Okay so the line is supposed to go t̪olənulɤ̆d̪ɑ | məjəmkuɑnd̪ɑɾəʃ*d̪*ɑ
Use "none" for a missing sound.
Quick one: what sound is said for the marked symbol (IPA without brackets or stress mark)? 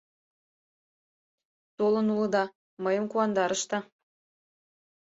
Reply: t̪